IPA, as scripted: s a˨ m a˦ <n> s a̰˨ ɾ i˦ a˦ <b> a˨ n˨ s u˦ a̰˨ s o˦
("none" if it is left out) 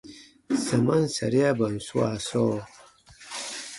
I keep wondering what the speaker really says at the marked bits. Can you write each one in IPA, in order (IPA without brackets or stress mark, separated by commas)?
n, b